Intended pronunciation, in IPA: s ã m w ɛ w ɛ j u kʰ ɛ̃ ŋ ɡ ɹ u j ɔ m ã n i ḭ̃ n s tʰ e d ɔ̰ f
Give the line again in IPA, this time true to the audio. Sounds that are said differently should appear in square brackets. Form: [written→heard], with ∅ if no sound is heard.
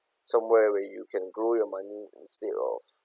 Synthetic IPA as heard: s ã m w ɛ w ɛ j u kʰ ɛ̃ [ŋ→n] ɡ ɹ [u→o] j ɔ m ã n i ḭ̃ n s [tʰ→t] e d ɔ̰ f

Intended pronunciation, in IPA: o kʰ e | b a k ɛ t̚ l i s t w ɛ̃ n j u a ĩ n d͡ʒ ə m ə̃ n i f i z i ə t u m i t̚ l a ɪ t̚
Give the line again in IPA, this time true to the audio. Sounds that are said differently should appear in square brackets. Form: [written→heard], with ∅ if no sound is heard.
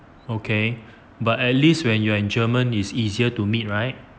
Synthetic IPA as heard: o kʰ e | b a [k→t] ɛ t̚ l i s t w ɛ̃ n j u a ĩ n d͡ʒ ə m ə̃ n i [f→s] i z i ə t u m i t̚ [l→ɹ] a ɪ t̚

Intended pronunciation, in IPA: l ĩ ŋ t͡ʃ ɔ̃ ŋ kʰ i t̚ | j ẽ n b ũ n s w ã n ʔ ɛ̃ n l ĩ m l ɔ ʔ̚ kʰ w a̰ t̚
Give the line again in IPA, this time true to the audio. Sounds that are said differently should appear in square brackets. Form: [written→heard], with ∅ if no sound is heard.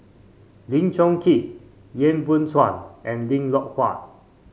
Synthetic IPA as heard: l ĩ ŋ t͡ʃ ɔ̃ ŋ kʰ i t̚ | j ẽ n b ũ n s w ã n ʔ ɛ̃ n l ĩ [m→ŋ] l ɔ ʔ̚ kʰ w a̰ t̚

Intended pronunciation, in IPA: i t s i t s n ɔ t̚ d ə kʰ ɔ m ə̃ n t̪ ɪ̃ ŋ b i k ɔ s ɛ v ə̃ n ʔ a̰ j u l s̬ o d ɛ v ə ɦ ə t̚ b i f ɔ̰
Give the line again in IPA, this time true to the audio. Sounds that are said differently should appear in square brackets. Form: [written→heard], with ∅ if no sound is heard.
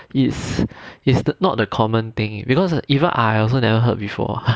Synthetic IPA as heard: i t s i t s n ɔ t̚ d ə kʰ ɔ m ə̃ n t̪ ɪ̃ ŋ b i k ɔ s [ɛ→i] v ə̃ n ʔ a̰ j [u→ɔ] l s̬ o [d→n] ɛ v ə ɦ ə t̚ b i f ɔ̰

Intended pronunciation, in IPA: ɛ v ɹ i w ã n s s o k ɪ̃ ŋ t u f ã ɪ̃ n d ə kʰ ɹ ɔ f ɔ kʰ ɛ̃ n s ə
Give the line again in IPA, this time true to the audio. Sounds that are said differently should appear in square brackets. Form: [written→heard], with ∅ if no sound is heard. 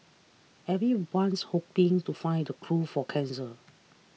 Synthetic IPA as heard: ɛ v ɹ i w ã n s [s→h] o [k→p] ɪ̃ ŋ t u f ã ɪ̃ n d ə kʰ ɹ [ɔ→u] f ɔ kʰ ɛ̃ n s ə

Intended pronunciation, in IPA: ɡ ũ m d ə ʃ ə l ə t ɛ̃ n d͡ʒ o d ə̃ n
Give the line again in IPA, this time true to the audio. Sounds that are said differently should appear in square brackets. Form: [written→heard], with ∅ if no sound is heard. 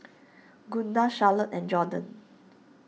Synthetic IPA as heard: ɡ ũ [m→n] d [ə→a] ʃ [ə→a] l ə t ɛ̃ n d͡ʒ [o→ɔ] d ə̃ n

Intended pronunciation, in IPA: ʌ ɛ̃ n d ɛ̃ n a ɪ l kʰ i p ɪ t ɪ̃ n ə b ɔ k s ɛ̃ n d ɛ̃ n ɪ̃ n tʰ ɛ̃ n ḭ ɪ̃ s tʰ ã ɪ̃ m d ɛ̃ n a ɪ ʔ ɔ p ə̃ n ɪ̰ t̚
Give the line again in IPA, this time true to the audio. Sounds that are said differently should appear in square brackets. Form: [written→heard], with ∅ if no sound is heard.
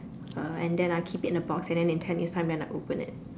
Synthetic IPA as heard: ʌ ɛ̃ n d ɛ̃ n a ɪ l kʰ i p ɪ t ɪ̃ n ə b ɔ k s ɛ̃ n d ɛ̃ n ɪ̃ n tʰ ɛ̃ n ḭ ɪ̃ s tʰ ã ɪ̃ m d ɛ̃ n a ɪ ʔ [ɔ→o] p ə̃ n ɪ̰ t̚

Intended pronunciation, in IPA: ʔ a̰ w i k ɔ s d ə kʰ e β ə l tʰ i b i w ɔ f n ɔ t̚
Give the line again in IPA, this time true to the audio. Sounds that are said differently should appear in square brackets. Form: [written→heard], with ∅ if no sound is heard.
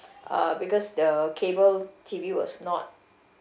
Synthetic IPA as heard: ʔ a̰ [w→b] i k ɔ s d ə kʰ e [β→b] ə l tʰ i [b→v] i w ɔ [f→s] n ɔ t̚

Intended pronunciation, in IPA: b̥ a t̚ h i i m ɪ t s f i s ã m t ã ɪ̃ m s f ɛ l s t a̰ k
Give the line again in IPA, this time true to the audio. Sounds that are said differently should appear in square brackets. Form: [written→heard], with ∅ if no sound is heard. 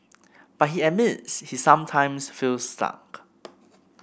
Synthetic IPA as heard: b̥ a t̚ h i [i→ɛ] m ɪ t s [f→h] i s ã m [t→tʰ] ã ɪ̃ m s f [ɛ→i] l s t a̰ k

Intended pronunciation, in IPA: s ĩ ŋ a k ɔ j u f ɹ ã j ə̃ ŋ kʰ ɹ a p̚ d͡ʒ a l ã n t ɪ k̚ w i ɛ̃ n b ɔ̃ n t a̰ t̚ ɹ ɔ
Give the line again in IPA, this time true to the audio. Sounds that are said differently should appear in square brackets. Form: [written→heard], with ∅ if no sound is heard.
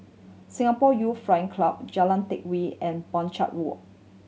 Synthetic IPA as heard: s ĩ ŋ a [k→p] ɔ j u f ɹ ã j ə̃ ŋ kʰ [ɹ→l] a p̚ d͡ʒ a l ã n t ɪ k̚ w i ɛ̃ n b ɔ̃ n [t→t͡ʃ] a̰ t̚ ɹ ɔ

